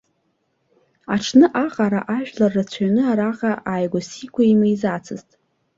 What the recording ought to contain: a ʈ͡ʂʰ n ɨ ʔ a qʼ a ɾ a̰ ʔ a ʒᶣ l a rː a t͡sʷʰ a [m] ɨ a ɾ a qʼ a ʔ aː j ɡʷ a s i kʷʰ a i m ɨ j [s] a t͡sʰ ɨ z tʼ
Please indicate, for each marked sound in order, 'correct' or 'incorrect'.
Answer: incorrect, incorrect

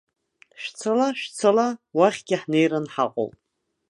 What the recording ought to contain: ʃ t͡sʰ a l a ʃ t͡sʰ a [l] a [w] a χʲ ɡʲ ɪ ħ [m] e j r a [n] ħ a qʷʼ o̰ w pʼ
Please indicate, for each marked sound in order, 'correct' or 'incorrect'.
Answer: correct, correct, incorrect, correct

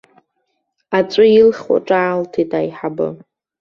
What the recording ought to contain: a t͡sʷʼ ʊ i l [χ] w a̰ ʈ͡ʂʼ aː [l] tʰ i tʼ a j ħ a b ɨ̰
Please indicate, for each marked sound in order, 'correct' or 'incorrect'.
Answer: correct, correct

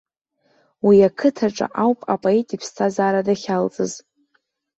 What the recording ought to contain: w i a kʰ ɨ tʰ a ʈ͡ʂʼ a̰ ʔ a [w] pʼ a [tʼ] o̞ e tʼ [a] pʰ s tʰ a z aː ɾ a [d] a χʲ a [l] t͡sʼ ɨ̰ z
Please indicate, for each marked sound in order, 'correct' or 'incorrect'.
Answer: correct, incorrect, incorrect, correct, correct

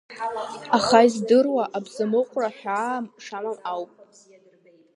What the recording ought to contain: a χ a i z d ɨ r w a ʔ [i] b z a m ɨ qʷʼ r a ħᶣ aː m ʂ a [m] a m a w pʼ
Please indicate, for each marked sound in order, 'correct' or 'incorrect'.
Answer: incorrect, correct

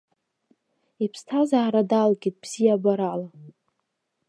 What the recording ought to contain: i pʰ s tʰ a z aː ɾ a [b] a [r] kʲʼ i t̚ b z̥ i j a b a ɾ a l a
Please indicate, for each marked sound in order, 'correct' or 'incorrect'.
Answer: incorrect, incorrect

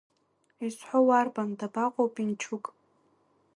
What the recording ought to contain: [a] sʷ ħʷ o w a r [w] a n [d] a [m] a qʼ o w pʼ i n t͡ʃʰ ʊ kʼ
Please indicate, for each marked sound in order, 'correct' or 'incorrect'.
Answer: incorrect, incorrect, correct, incorrect

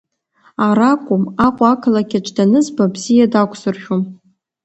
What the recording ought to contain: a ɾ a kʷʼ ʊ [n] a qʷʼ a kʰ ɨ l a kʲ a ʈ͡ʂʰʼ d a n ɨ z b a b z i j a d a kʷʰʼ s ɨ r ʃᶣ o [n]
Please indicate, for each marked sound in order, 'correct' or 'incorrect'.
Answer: incorrect, incorrect

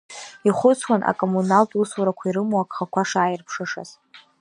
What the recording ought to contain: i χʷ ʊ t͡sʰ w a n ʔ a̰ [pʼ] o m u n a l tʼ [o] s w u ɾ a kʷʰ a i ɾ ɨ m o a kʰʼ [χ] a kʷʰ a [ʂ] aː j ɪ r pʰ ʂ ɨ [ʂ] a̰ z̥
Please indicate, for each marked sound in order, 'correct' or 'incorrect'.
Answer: incorrect, incorrect, correct, correct, correct

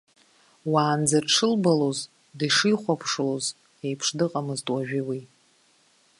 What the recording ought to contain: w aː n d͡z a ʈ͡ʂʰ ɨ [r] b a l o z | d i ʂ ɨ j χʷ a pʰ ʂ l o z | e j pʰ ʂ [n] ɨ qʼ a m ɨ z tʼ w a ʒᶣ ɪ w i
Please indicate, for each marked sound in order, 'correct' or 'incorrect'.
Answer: incorrect, incorrect

